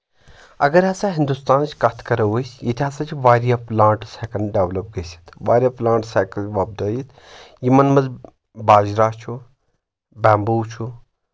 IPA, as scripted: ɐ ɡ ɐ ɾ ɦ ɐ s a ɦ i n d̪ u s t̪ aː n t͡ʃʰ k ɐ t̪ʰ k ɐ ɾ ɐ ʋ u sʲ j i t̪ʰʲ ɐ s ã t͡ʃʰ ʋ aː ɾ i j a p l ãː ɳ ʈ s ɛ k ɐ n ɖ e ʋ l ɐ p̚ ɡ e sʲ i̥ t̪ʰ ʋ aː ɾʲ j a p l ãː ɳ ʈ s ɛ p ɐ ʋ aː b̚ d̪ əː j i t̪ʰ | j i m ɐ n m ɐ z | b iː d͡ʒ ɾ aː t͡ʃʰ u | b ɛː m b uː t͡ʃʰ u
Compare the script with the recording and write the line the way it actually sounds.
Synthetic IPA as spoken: ɐ ɡ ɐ ɾ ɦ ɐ s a ɦ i n d̪ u s t̪ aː n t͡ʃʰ k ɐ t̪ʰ k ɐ ɾ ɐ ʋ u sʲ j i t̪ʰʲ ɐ s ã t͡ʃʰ ʋ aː ɾ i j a p l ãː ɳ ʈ s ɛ k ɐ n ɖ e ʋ l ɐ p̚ ɡ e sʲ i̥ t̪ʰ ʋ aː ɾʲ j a p l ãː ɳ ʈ s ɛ k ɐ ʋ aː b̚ d̪ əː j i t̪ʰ | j i m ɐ n m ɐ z | b aː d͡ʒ ɾ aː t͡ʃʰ u | b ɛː m b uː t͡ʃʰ u